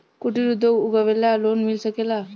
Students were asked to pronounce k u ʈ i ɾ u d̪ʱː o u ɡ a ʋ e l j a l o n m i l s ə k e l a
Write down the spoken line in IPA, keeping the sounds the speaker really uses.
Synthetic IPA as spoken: k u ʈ i ɾ u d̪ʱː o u ɡ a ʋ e l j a l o n m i l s ə k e l a